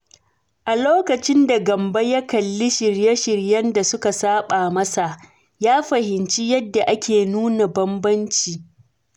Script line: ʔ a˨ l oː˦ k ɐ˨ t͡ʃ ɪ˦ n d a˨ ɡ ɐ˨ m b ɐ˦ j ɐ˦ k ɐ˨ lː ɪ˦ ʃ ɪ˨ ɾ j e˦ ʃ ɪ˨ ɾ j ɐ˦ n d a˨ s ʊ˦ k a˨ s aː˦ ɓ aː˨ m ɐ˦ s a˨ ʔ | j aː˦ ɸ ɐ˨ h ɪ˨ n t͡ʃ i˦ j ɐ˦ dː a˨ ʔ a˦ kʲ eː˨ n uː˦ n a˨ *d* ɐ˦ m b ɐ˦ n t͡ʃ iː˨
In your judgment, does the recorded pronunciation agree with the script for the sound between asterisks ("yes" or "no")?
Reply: no